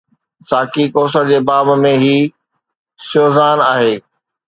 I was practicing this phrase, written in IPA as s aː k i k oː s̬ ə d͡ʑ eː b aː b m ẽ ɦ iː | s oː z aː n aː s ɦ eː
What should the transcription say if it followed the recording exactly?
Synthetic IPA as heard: s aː k i k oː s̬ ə d͡ʑ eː b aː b m ẽ ɦ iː | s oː z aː n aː ɦ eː